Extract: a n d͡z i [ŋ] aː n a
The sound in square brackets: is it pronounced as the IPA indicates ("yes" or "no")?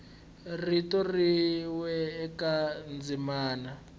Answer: no